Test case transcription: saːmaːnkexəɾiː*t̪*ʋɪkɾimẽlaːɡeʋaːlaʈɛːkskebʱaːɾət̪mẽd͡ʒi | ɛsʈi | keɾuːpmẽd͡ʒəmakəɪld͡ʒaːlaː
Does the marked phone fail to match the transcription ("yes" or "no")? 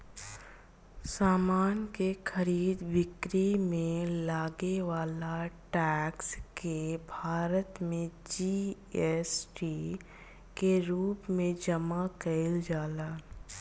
yes